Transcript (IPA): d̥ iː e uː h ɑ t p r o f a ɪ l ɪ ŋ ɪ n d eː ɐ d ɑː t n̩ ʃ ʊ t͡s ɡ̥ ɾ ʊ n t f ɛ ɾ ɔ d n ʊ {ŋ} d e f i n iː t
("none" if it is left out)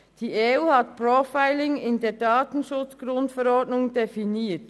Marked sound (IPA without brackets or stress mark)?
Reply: ŋ